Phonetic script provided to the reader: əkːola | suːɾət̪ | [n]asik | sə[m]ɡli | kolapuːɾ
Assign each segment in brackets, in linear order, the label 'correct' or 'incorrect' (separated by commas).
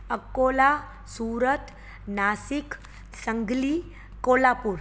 correct, incorrect